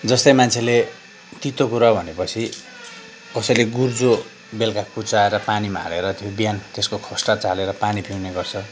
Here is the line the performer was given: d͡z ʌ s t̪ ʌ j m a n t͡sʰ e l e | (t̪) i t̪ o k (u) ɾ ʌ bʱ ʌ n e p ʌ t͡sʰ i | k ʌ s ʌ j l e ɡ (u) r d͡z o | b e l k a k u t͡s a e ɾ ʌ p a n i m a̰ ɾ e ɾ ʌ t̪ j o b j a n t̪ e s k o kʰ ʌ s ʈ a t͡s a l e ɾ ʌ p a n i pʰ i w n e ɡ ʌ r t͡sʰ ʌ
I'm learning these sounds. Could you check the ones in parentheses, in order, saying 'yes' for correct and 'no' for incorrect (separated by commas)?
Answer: yes, yes, yes